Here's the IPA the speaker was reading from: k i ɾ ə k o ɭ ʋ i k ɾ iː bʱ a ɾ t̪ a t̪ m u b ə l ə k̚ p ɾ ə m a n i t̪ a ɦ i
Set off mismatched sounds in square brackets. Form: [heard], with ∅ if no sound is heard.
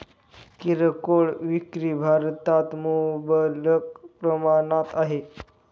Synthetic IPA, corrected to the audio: k i ɾ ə k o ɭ ʋ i k ɾ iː bʱ a ɾ t̪ a t̪ m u b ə l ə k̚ p ɾ ə m a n [a] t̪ a ɦ [e]